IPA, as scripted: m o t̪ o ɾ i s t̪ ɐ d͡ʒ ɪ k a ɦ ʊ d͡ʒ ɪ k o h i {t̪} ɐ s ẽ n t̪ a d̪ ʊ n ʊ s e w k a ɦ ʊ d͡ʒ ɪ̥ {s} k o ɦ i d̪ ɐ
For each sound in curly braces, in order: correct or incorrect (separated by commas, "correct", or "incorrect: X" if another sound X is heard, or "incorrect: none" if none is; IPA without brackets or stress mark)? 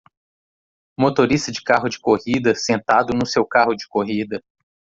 incorrect: d̪, incorrect: none